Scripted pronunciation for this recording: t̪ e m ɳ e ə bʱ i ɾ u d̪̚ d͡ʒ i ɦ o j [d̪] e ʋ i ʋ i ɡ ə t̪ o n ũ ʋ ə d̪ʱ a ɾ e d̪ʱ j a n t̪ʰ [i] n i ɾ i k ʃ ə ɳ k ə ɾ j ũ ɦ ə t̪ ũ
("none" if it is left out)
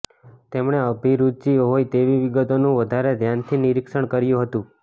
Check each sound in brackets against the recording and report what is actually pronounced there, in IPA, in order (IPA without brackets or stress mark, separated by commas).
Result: t̪, i